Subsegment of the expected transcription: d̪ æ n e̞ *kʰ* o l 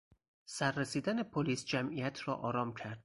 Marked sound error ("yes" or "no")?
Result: yes